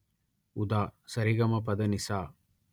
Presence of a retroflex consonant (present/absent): absent